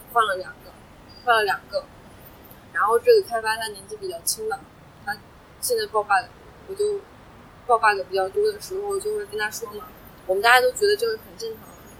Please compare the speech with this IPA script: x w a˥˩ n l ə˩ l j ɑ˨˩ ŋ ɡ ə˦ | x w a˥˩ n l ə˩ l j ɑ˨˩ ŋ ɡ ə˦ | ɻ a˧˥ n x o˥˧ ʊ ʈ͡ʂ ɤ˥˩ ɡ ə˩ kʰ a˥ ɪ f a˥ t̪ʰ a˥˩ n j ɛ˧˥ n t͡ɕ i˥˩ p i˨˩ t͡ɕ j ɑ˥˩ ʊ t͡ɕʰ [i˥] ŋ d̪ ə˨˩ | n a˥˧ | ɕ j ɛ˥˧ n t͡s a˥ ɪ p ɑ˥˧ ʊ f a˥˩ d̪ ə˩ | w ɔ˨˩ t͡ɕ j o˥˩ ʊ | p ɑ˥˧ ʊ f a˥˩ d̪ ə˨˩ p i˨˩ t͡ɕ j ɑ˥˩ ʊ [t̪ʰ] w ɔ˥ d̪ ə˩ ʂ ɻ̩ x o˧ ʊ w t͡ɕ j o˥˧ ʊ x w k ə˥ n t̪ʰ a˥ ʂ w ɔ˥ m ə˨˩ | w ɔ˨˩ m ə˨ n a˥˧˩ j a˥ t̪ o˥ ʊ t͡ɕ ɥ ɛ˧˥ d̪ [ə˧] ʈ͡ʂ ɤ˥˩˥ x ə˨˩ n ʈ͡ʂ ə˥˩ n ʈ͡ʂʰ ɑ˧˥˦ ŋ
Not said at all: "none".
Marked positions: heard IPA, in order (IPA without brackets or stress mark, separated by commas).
i˥, t̪, ə˧